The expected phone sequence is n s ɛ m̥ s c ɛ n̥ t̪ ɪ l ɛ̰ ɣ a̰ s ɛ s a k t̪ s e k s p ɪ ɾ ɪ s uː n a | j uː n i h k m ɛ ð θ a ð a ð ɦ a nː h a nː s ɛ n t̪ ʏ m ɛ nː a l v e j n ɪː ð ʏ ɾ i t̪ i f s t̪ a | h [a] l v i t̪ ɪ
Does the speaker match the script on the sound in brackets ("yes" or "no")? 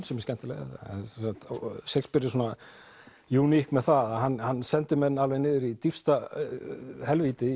no